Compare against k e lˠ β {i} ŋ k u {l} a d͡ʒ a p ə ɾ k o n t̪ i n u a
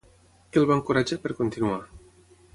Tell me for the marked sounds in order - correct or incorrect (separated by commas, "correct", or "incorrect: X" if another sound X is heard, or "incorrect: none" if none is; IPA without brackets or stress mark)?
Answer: incorrect: a, incorrect: ɾ